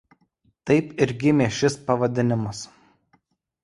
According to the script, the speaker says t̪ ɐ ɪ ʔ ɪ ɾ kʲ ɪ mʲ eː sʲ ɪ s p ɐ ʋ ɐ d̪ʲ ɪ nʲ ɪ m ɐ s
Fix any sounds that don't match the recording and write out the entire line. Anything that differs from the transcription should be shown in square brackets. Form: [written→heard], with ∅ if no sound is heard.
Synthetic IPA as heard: t̪ ɐ ɪ [ʔ→p] ɪ ɾ [kʲ→ɡʲ] ɪ mʲ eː [sʲ→ʃʲ] ɪ s p ɐ ʋ ɐ d̪ʲ ɪ nʲ ɪ m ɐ s

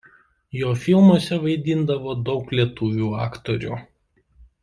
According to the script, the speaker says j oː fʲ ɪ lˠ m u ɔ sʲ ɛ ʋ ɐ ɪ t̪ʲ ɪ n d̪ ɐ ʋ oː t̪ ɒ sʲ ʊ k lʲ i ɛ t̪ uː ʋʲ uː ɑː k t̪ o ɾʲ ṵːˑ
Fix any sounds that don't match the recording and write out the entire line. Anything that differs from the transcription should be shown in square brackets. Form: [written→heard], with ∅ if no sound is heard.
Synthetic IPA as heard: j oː fʲ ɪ lˠ m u ɔ sʲ ɛ ʋ ɐ ɪ [t̪ʲ→d̪ʲ] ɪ n d̪ ɐ ʋ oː [t̪→d̪] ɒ [sʲ→∅] ʊ k lʲ i ɛ t̪ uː ʋʲ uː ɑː k t̪ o ɾʲ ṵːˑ

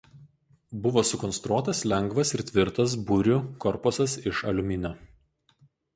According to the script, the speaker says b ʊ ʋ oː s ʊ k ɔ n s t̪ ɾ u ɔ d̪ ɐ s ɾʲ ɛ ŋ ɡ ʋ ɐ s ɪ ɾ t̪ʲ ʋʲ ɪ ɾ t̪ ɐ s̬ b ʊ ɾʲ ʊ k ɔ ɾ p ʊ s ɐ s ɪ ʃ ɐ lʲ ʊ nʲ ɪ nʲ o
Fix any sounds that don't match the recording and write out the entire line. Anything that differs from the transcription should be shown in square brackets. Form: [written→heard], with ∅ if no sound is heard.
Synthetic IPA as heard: b ʊ ʋ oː s ʊ k ɔ n s t̪ ɾ u ɔ [d̪→t̪] ɐ s [ɾʲ→lʲ] ɛ ŋ ɡ ʋ ɐ s ɪ ɾ t̪ʲ ʋʲ ɪ ɾ t̪ ɐ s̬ b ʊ ɾʲ ʊ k ɔ ɾ p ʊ s ɐ s ɪ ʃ ɐ lʲ ʊ [nʲ→mʲ] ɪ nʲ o

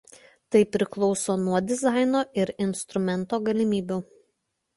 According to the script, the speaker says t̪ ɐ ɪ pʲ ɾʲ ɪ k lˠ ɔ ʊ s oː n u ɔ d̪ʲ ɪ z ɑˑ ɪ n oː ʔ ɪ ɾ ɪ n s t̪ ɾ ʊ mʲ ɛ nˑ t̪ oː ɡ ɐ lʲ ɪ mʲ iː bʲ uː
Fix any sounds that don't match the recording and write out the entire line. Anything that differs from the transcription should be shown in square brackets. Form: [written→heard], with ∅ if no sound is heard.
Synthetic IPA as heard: t̪ ɐ ɪ pʲ ɾʲ ɪ k lˠ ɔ ʊ s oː n u ɔ d̪ʲ ɪ z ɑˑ ɪ n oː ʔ ɪ ɾ ɪ n s t̪ ɾ ʊ mʲ ɛ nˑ t̪ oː ɡ ɐ lʲ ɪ mʲ iː bʲ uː

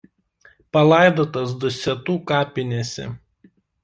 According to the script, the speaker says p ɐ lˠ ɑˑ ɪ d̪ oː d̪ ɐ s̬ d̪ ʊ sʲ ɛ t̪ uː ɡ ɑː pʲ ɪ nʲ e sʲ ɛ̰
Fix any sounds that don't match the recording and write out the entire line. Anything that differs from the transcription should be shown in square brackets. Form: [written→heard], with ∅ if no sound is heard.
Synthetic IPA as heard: p ɐ lˠ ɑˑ ɪ d̪ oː [d̪→t̪] ɐ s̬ d̪ ʊ sʲ ɛ t̪ uː [ɡ→k] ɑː pʲ ɪ nʲ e sʲ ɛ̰

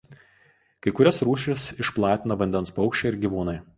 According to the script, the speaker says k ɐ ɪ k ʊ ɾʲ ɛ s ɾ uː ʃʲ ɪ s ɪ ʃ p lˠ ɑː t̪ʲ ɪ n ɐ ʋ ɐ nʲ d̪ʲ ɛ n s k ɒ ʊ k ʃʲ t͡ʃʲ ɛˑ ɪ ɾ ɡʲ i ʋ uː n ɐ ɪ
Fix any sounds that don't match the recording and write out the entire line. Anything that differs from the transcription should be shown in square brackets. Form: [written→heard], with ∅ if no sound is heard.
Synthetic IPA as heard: k ɐ ɪ k ʊ ɾʲ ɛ s ɾ uː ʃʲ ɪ s ɪ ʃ p lˠ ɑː t̪ʲ ɪ n ɐ ʋ ɐ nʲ d̪ʲ ɛ n s [k→p] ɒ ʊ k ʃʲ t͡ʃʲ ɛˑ ɪ ɾ ɡʲ i ʋ uː n ɐ ɪ

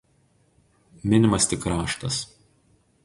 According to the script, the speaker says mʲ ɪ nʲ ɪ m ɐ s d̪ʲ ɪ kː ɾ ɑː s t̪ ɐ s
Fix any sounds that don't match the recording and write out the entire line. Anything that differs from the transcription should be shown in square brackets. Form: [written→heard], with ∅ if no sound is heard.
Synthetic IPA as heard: mʲ ɪ nʲ ɪ m ɐ s [d̪ʲ→t̪ʲ] ɪ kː ɾ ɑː [s→ʃ] t̪ ɐ s

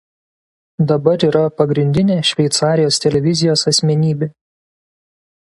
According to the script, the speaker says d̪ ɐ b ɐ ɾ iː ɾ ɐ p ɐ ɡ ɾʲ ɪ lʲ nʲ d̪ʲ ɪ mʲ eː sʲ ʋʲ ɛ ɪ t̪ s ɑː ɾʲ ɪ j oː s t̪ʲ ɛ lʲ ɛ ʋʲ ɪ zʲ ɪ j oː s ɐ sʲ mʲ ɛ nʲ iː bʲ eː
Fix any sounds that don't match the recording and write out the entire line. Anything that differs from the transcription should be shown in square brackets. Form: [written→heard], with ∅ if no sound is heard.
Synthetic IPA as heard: d̪ ɐ b ɐ ɾ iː ɾ ɐ p ɐ ɡ ɾʲ ɪ [lʲ→∅] nʲ d̪ʲ ɪ [mʲ→nʲ] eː [sʲ→ʃʲ] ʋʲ ɛ ɪ t̪ s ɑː ɾʲ ɪ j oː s t̪ʲ ɛ lʲ ɛ ʋʲ ɪ zʲ ɪ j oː s ɐ sʲ mʲ ɛ nʲ iː bʲ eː

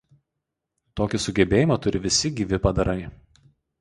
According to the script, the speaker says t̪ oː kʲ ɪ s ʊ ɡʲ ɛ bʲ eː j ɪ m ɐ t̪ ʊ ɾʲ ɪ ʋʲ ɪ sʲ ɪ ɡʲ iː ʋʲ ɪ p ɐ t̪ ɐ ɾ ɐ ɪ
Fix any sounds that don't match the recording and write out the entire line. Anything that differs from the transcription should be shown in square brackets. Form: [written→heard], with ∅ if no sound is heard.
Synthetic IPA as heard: t̪ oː kʲ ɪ s ʊ ɡʲ ɛ bʲ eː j ɪ m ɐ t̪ ʊ ɾʲ ɪ ʋʲ ɪ sʲ ɪ ɡʲ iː ʋʲ ɪ p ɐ [t̪→d̪] ɐ ɾ ɐ ɪ

